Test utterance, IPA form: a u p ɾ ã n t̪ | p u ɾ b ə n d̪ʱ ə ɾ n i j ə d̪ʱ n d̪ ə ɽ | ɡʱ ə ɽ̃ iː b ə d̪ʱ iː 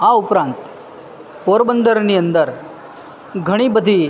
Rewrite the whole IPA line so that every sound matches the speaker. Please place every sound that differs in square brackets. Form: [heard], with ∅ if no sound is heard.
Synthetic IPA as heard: a u p ɾ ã n t̪ | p [o] ɾ b ə n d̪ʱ ə ɾ n i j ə [∅] n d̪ ə [ɾ] | ɡʱ ə ɽ̃ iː b ə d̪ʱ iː